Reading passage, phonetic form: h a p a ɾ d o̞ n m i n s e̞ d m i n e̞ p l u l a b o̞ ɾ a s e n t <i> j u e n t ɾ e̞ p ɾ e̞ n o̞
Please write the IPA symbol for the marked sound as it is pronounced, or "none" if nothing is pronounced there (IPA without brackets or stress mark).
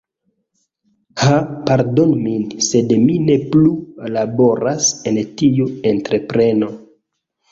i